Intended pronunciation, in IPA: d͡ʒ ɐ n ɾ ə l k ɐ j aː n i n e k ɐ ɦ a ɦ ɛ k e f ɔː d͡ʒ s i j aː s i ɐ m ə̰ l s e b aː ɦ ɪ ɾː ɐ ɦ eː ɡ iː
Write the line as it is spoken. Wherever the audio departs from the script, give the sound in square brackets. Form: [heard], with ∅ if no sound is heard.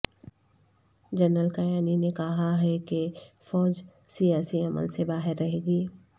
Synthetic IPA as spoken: d͡ʒ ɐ n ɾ ə l k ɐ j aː n i n e k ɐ ɦ a ɦ ɛ k e f ɔː d͡ʒ s i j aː s i ɐ m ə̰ l s e b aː ɦ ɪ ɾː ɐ ɦ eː ɡ iː